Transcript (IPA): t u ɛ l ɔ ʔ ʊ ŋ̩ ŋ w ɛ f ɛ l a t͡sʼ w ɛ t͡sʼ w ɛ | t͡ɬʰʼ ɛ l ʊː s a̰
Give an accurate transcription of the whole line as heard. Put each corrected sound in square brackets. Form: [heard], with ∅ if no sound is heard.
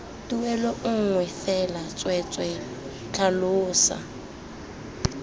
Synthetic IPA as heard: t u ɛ l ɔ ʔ ʊ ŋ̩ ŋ w ɛ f ɛ l a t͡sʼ w ɛ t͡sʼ w ɛ | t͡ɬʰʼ [a] l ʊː s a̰